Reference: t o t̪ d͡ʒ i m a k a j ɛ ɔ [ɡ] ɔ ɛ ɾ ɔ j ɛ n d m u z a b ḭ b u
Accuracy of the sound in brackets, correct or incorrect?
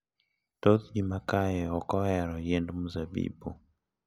incorrect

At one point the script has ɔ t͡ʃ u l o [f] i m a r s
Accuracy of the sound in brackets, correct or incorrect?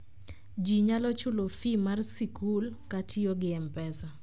correct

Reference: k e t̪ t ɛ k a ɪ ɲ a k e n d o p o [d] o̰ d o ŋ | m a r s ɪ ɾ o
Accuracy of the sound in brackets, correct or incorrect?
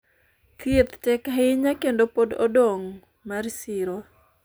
correct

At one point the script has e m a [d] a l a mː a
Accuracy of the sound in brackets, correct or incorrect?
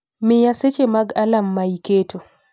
incorrect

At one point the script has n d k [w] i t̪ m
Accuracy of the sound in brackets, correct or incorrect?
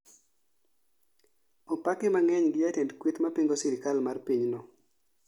correct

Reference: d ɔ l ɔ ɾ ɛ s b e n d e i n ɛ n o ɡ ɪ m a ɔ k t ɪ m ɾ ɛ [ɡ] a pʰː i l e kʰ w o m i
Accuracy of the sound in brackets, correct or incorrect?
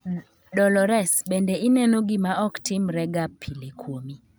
correct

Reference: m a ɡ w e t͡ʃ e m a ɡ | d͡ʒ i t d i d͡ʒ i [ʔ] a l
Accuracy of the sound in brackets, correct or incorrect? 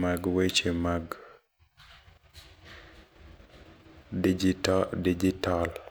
incorrect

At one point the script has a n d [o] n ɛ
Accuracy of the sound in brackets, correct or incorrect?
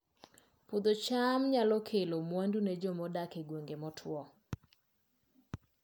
incorrect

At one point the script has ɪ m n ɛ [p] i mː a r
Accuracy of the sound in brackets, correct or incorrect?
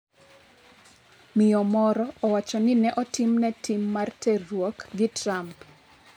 incorrect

